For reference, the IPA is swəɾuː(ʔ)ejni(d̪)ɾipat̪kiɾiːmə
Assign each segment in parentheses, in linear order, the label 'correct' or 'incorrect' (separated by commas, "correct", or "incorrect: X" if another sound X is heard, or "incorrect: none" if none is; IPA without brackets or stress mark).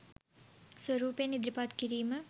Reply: incorrect: p, correct